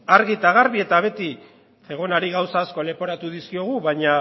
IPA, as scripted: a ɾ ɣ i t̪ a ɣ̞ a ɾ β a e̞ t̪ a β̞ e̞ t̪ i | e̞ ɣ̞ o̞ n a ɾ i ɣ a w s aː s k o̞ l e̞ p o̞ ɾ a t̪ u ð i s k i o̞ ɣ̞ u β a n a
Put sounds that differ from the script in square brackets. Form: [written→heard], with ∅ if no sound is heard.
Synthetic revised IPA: a ɾ ɣ i t̪ a ɣ̞ a ɾ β [a→i] e̞ t̪ a β̞ e̞ t̪ i | e̞ ɣ̞ o̞ n a ɾ i ɣ a w s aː s k o̞ l e̞ p o̞ ɾ a t̪ u ð i s k i o̞ ɣ̞ u β a [n→ɲ] a